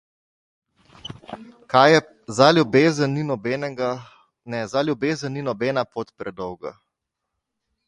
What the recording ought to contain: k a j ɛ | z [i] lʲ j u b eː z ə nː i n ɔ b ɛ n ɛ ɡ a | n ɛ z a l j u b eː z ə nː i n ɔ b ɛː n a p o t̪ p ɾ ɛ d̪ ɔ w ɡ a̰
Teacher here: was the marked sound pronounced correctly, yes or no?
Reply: no